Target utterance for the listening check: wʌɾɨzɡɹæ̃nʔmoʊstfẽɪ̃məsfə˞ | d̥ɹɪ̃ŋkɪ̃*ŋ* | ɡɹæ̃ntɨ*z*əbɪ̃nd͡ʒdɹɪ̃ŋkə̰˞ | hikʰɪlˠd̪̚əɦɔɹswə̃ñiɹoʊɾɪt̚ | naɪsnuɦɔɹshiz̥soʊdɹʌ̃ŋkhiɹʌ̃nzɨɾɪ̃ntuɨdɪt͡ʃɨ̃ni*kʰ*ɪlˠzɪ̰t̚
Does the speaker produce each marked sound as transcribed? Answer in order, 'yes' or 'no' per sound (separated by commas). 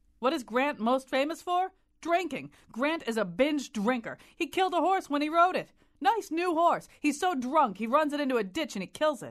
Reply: yes, yes, yes